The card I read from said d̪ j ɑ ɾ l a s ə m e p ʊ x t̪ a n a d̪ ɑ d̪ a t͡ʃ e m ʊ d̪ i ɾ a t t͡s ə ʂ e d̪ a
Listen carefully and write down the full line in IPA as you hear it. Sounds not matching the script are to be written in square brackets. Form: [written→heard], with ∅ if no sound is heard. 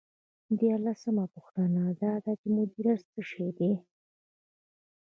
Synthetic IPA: d̪ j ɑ ɾ l a s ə m [e→a] p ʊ x t̪ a n a d̪ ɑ d̪ a t͡ʃ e m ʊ d̪ i ɾ a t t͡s ə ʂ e d̪ [a→e]